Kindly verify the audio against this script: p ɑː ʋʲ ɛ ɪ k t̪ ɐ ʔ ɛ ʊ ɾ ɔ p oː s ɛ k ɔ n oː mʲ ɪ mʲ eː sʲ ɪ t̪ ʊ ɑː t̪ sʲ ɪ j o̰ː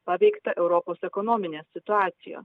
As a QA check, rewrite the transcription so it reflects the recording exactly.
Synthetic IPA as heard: p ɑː ʋʲ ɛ ɪ k t̪ ɐ ʔ ɛ ʊ ɾ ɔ p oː s ɛ k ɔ n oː mʲ ɪ nʲ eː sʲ ɪ t̪ ʊ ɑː t̪ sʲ ɪ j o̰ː